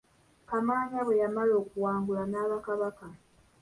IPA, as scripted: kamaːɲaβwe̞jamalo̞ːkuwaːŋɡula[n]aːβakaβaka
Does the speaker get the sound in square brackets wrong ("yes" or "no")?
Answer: no